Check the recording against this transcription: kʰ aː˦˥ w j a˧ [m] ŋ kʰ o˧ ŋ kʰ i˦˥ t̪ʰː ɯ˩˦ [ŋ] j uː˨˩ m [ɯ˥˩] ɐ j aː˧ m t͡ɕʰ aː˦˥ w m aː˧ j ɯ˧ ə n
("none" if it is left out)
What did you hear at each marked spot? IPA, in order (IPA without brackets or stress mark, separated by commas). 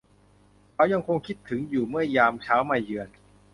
none, ŋ, ɯ˥˩